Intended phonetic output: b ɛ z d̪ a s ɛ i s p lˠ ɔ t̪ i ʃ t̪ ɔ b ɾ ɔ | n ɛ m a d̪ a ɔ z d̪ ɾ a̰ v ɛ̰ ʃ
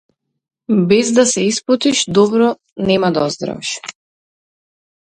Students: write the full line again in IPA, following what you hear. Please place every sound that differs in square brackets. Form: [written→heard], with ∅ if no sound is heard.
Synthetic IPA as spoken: b ɛ z d̪ a s ɛ i s p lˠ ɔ t̪ i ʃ [t̪→d̪] ɔ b ɾ ɔ | n ɛ m a d̪ a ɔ z d̪ ɾ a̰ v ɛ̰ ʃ